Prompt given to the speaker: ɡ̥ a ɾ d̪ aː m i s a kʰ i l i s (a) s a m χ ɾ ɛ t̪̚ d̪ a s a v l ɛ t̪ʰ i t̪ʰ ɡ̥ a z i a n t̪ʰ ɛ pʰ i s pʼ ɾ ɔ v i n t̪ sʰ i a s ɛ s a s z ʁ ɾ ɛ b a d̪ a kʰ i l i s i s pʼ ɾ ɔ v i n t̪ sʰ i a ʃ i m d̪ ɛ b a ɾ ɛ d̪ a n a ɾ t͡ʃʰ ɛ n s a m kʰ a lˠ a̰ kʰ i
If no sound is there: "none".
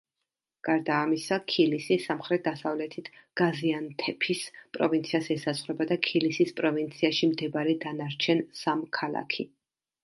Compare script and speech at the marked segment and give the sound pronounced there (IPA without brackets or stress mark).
i